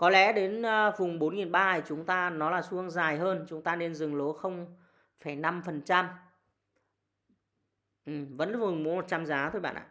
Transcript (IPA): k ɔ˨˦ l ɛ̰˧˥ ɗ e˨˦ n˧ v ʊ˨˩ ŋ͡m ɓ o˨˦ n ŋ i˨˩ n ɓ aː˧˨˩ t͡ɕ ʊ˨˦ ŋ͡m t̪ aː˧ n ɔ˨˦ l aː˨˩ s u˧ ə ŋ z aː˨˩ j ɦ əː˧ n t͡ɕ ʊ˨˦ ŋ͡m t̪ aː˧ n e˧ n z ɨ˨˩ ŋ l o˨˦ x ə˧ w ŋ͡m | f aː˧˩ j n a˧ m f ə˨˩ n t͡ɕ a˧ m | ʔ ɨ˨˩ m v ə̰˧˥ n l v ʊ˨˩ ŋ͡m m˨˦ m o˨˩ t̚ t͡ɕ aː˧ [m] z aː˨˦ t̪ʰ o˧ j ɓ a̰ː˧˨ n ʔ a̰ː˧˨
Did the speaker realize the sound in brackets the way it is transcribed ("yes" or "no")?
yes